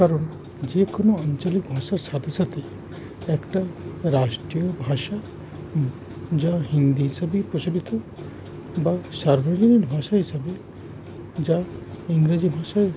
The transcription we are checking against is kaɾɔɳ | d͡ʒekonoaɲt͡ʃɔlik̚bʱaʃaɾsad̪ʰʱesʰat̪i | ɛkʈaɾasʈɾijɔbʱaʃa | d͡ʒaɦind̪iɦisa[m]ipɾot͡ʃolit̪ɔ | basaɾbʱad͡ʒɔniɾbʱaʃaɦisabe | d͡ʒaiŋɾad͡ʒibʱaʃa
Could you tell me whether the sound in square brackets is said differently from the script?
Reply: yes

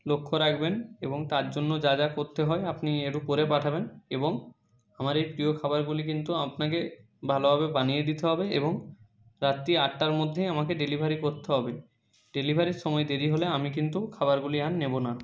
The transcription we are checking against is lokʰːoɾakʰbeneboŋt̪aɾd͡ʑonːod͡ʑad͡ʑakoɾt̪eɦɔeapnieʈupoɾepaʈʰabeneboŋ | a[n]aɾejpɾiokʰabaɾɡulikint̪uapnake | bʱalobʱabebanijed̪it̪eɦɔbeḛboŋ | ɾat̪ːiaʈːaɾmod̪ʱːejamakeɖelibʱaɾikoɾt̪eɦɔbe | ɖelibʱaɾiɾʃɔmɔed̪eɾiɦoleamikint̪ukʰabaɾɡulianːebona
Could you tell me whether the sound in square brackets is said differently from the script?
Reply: yes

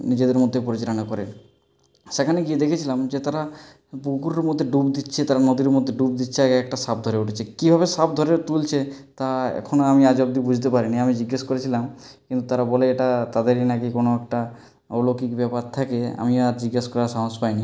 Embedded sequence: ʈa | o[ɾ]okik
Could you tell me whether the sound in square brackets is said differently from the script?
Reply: yes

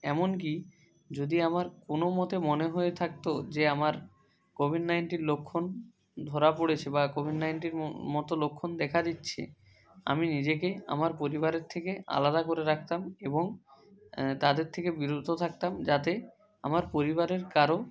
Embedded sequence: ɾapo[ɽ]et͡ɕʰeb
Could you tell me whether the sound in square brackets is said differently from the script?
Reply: no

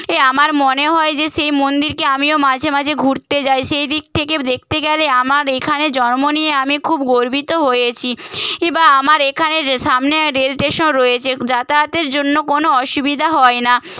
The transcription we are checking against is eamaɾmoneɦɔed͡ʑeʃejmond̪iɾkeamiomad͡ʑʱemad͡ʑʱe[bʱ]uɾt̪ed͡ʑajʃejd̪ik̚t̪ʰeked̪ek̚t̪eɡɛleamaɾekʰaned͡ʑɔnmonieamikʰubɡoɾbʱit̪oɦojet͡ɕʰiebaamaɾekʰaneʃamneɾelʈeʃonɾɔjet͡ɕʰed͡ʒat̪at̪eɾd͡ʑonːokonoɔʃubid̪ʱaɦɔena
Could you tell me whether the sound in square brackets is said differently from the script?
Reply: yes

